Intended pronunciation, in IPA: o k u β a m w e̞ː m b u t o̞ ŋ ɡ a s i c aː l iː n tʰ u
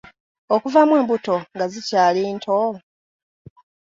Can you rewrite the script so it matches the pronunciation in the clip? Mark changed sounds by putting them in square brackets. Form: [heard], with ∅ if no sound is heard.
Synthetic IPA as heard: o k u [v] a m w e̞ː m b u t o̞ ŋ ɡ a [z] i c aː l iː n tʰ [o]